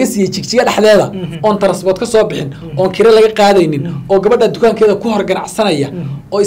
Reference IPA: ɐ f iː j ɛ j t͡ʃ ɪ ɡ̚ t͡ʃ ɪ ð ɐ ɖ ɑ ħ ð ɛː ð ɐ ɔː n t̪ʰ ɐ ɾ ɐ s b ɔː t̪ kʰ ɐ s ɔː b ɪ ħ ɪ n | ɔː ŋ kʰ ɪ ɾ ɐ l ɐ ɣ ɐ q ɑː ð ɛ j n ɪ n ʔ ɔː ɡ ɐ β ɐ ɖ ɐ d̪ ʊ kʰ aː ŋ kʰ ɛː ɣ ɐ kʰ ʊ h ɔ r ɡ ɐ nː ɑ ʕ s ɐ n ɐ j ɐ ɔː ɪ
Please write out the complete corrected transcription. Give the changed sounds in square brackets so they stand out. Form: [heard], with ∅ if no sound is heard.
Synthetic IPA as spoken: ɐ [s] iː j ɛ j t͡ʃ ɪ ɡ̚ t͡ʃ ɪ [ɣ] ɐ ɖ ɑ ħ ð ɛː ð ɐ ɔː n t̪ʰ ɐ ɾ ɐ s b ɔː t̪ kʰ ɐ s ɔː b ɪ ħ ɪ n | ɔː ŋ kʰ ɪ ɾ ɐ l ɐ ɣ ɐ q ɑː ð ɛ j n ɪ n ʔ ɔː ɡ ɐ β ɐ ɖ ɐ d̪ ʊ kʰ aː ŋ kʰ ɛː [ð] ɐ kʰ ʊ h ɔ r ɡ ɐ [n] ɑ ʕ s ɐ n ɐ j ɐ ɔː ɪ